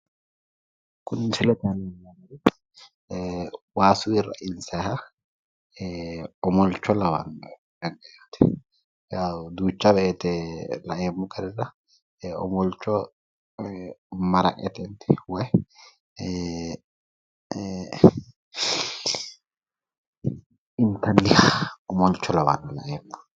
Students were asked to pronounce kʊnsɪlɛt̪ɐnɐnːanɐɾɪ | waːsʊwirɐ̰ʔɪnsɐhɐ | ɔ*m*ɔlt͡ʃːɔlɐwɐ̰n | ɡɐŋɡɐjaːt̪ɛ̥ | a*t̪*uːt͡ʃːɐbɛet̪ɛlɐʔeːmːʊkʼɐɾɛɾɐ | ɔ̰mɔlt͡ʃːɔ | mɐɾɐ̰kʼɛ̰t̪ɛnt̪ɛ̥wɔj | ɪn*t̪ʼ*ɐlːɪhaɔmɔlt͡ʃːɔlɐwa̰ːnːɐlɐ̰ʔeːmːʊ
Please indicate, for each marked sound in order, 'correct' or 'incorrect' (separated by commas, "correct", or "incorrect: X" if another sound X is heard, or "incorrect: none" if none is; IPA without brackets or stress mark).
correct, incorrect: d̪, incorrect: t̪